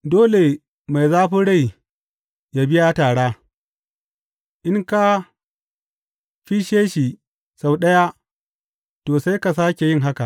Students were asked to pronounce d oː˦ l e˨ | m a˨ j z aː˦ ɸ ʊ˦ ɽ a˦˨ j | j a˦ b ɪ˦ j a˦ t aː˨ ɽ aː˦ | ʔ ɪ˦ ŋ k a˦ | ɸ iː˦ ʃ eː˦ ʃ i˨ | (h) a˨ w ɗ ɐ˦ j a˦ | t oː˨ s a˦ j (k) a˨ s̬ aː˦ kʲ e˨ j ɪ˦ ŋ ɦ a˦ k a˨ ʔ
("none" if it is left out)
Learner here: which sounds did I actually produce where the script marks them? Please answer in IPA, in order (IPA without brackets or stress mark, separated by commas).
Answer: s, k